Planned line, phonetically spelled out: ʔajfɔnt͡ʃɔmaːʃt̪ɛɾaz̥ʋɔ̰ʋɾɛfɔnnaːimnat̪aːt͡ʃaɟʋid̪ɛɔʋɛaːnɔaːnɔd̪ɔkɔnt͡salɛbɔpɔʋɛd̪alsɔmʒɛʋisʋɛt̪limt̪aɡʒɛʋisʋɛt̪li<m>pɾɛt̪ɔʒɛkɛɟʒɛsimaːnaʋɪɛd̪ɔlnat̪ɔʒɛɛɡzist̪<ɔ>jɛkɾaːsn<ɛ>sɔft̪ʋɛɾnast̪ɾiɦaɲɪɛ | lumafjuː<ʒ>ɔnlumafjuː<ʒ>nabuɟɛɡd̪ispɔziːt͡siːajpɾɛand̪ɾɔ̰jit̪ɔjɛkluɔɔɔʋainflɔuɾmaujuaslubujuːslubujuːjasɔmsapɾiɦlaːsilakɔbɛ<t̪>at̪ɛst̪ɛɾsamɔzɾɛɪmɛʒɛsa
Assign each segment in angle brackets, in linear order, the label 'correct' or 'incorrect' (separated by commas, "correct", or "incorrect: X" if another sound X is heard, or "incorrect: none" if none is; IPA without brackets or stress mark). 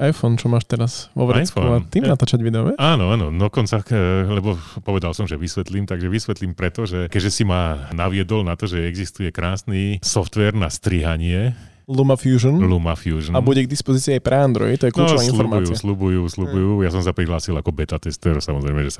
correct, incorrect: u, incorrect: i, correct, correct, correct